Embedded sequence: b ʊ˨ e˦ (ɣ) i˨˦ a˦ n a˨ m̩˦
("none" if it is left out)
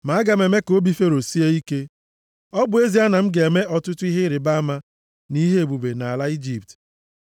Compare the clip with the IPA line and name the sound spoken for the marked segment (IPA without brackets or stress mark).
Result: z